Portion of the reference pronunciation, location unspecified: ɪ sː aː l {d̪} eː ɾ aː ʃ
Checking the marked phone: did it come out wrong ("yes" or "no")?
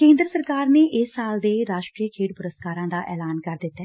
no